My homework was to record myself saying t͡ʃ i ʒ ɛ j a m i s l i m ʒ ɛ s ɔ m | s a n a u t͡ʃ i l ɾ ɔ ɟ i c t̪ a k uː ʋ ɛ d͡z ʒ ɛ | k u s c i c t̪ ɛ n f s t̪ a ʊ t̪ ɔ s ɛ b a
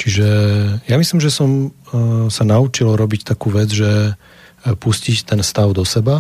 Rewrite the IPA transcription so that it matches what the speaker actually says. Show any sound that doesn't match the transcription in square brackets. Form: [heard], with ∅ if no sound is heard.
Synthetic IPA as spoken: t͡ʃ i ʒ ɛ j a m i s l i m ʒ ɛ s ɔ m | s a n a u t͡ʃ i l ɾ ɔ [b] i c t̪ a k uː ʋ ɛ d͡z ʒ ɛ | [p] u s c i c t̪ ɛ n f s t̪ a ʊ [d̪] ɔ s ɛ b a